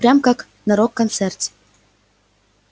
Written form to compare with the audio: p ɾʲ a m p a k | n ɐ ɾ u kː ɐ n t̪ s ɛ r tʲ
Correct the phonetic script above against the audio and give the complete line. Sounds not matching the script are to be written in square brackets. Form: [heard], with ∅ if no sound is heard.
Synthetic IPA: p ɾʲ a m [k] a k | n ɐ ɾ [o] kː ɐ n t̪ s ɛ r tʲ